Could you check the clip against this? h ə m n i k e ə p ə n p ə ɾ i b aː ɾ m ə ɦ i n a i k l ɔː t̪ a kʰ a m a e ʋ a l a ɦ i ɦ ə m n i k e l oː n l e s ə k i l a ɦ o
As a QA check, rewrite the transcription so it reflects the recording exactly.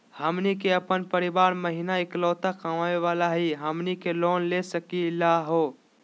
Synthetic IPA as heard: h ə m n i k e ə p ə n p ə ɾ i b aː ɾ m ə ɦ i n a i k l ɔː t̪ a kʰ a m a e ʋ a l a ɦ i ɦ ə m n i k e l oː n l e s ə k i l a ɦ o